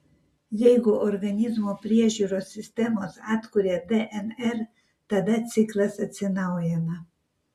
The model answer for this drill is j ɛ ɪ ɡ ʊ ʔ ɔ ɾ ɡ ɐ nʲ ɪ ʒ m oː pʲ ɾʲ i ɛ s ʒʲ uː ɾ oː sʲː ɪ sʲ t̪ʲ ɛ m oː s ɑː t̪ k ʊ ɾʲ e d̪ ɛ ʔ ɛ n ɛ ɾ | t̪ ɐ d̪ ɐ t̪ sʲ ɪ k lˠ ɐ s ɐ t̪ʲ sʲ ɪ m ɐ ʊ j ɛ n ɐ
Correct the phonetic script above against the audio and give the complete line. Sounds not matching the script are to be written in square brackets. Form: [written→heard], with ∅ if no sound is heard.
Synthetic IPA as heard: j ɛ ɪ ɡ ʊ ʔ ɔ ɾ ɡ ɐ nʲ ɪ [ʒ→z] m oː pʲ ɾʲ i ɛ [s→∅] ʒʲ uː ɾ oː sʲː ɪ sʲ t̪ʲ ɛ m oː s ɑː t̪ k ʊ ɾʲ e d̪ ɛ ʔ ɛ n ɛ ɾ | t̪ ɐ d̪ ɐ t̪ sʲ ɪ k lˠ ɐ s ɐ t̪ʲ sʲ ɪ [m→n] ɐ ʊ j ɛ n ɐ